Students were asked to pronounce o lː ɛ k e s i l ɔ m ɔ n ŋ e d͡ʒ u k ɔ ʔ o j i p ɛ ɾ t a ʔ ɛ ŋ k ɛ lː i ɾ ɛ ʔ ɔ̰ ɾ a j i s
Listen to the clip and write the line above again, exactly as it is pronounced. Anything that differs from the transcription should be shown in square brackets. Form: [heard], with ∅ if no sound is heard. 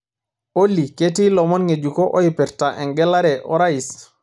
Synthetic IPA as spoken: o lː [i] k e [t] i l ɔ m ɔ n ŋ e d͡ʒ u k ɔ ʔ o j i p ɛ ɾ t a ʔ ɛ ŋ [ɡ] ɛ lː [a] ɾ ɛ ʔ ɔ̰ ɾ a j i s